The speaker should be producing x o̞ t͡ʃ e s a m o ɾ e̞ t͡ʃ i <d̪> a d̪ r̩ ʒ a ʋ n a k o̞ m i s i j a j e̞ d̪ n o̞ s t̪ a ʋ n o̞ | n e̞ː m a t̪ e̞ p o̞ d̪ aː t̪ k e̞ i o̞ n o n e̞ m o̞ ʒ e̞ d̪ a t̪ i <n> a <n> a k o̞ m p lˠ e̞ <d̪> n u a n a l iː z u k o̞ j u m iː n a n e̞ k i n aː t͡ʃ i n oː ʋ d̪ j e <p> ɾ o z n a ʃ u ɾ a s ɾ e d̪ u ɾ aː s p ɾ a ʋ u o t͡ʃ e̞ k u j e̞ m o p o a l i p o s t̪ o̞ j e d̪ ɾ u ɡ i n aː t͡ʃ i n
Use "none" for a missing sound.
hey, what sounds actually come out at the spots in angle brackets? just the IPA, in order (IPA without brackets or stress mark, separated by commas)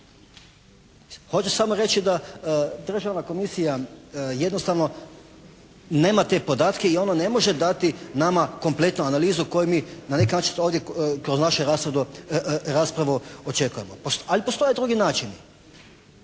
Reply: d̪, n, m, t̪, k